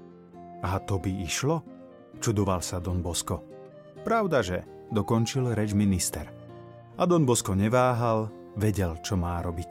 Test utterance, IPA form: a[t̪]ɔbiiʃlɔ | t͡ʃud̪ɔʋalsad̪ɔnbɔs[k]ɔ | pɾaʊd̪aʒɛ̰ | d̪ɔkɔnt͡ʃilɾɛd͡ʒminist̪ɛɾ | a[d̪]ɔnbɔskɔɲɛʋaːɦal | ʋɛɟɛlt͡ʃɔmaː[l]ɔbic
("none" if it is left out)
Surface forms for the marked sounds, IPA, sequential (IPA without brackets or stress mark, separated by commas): t̪, k, d̪, ɾ